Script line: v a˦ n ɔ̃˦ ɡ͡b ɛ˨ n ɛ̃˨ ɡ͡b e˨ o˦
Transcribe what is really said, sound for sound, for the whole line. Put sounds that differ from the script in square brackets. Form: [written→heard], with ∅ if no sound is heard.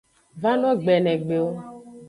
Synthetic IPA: v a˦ n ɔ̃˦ ɡ͡b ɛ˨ n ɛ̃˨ ɡ͡b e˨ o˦